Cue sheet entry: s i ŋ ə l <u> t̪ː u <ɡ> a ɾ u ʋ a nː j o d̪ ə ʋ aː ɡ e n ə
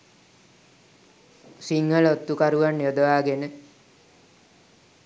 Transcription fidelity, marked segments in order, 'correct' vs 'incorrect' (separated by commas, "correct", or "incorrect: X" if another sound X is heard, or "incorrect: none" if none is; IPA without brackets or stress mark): incorrect: o, incorrect: k